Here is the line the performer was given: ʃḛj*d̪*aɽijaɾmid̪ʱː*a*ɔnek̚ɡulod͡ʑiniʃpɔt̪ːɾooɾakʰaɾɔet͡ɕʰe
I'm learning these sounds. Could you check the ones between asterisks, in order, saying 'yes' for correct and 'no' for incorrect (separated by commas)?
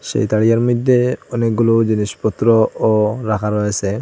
no, no